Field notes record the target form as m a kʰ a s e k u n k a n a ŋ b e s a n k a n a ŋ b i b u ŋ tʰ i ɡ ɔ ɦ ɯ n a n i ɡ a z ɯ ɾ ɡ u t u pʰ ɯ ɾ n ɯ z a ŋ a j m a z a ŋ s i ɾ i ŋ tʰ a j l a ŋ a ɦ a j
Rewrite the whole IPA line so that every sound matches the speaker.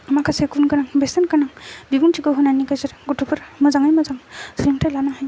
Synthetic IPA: m a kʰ a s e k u n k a n a ŋ b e s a n k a n a ŋ b i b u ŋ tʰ i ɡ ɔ ɦ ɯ n a n i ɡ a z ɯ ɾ ɡ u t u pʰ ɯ ɾ m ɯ z a ŋ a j m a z a ŋ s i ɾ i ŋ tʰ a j l a n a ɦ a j